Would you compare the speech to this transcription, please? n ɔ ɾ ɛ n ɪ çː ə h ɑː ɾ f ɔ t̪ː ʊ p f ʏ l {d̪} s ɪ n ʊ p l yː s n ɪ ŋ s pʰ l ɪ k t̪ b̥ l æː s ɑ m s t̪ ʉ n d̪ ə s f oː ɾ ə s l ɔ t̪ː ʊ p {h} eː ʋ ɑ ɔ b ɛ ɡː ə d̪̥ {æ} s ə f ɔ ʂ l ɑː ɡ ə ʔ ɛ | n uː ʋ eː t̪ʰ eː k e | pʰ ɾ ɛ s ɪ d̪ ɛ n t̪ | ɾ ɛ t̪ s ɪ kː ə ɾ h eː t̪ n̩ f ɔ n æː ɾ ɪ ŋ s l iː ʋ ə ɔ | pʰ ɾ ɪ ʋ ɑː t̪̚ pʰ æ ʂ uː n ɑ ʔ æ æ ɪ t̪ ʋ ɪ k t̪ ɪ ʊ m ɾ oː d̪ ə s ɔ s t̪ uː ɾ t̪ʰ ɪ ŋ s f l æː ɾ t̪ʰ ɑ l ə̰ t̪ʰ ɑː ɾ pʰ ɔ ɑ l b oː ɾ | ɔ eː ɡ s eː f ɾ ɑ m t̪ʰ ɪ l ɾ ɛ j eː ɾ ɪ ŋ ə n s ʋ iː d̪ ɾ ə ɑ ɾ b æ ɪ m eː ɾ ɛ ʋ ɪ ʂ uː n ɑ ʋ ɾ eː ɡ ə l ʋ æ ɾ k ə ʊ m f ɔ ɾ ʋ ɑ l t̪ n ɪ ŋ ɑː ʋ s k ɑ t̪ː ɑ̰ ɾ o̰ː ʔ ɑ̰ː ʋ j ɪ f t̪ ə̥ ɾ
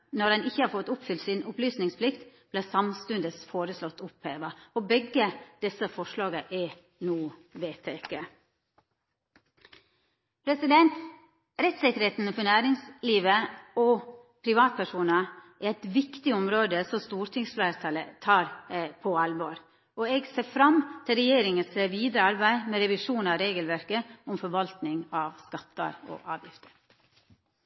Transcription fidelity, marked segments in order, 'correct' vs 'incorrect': incorrect: t̪, correct, incorrect: ɛ

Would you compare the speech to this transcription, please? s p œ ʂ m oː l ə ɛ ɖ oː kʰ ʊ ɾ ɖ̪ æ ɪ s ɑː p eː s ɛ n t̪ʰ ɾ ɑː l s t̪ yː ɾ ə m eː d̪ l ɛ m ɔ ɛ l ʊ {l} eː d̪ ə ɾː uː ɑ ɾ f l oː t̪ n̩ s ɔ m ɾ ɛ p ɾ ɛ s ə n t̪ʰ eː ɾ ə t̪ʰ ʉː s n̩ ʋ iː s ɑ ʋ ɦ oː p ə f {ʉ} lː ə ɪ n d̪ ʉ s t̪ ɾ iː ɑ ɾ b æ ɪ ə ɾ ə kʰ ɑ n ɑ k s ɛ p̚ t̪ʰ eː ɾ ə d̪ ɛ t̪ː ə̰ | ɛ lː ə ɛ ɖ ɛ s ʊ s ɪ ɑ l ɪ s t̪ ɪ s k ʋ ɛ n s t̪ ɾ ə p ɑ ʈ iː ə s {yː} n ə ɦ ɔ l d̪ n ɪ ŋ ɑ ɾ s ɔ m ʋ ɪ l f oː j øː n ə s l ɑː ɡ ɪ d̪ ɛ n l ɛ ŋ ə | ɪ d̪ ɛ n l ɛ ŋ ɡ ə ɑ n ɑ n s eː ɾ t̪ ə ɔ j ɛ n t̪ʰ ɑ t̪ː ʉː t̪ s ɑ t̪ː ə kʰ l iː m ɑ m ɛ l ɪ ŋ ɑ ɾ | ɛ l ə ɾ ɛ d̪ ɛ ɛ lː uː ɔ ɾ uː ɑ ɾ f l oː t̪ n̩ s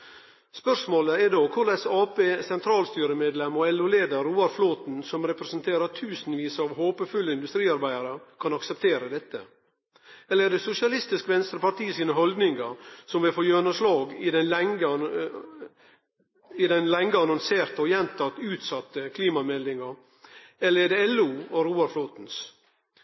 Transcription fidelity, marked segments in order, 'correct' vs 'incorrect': correct, correct, incorrect: iː

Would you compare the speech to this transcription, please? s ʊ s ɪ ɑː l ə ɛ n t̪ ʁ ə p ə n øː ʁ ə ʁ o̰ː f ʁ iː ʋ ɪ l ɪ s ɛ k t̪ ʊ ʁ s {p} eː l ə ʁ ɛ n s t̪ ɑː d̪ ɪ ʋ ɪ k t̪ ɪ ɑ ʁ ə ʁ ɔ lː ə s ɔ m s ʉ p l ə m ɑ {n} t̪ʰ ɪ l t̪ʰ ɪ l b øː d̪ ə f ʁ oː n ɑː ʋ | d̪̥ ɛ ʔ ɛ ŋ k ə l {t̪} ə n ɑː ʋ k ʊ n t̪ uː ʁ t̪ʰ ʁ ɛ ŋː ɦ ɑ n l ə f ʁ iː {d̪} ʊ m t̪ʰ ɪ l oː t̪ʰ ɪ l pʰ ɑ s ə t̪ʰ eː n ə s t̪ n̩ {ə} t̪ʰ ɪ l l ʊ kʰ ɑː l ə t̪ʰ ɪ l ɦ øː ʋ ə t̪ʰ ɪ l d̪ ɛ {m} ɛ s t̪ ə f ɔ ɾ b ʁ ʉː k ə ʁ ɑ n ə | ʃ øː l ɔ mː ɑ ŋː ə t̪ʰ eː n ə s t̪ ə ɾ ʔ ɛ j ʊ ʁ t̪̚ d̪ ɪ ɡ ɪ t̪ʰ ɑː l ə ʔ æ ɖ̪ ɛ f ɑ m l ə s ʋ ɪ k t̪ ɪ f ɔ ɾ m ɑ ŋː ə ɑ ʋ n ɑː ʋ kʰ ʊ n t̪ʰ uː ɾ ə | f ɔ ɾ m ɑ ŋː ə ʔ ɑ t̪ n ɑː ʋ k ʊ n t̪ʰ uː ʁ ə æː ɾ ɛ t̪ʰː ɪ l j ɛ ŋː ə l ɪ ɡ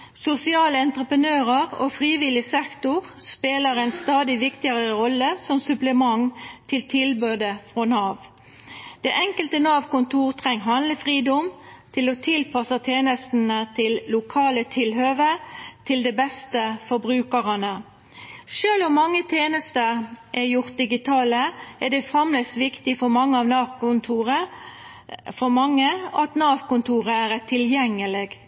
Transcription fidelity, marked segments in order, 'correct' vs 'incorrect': correct, incorrect: ŋ, correct, correct, correct, incorrect: b

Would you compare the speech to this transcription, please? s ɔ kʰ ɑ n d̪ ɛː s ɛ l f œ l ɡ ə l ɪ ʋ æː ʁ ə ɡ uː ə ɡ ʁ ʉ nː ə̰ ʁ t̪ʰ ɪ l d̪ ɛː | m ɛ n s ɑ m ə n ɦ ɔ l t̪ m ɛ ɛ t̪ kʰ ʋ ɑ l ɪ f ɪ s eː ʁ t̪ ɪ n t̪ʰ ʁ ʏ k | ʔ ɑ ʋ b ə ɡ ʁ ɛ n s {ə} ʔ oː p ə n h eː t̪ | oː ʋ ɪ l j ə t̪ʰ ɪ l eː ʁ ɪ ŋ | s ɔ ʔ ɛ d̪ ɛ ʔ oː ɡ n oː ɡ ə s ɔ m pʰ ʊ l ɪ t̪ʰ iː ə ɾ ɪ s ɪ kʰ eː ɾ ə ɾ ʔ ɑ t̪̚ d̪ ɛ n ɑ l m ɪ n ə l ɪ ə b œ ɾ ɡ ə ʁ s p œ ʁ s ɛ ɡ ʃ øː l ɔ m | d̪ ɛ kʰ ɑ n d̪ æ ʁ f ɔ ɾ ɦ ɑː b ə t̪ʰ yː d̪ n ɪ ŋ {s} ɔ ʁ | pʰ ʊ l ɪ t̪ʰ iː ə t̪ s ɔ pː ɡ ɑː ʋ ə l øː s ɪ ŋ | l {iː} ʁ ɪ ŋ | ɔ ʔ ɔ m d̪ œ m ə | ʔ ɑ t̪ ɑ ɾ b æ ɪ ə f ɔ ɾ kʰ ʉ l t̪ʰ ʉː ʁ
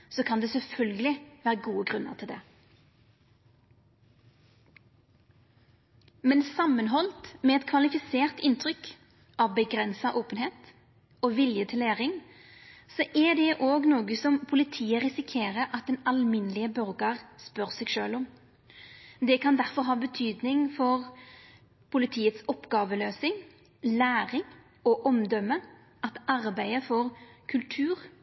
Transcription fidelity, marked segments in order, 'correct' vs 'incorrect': incorrect: ɑ, incorrect: f, incorrect: æː

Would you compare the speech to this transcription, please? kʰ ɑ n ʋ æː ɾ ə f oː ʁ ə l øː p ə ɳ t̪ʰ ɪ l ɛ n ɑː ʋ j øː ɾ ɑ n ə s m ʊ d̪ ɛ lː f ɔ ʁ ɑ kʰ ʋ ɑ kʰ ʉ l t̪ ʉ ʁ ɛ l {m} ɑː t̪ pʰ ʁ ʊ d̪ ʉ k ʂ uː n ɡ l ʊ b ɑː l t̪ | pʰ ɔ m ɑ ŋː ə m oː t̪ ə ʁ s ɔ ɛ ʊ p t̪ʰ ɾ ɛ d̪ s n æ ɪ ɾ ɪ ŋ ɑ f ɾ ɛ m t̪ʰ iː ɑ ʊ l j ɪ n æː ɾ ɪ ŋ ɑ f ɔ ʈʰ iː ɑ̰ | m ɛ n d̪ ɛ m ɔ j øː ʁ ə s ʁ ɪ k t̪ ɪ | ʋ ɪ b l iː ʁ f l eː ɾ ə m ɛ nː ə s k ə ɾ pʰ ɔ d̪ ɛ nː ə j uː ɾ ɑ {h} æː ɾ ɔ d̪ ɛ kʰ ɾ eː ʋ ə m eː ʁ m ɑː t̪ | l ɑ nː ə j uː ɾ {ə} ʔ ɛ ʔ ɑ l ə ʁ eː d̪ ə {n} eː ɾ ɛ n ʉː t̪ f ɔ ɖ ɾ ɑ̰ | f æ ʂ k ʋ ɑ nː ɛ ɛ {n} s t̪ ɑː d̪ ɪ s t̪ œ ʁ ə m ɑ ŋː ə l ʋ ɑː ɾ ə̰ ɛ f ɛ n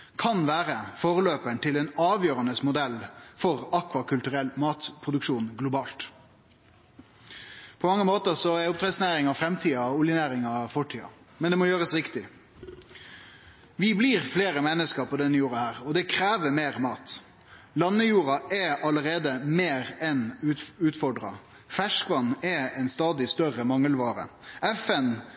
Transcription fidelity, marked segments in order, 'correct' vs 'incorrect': correct, correct, incorrect: ɑ, incorrect: m, correct

